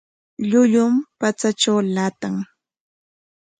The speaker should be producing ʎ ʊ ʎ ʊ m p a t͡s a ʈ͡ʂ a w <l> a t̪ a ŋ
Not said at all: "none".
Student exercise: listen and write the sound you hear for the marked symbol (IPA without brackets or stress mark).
l